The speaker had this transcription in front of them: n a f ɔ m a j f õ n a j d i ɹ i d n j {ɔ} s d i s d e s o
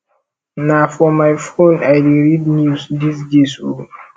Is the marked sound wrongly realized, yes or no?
yes